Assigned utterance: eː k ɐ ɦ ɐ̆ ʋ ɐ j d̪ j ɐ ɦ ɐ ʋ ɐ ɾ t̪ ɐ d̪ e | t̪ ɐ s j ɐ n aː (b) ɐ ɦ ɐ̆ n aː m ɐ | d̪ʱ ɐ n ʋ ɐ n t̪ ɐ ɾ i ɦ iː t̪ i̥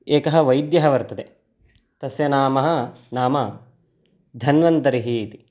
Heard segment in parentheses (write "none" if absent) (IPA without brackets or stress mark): m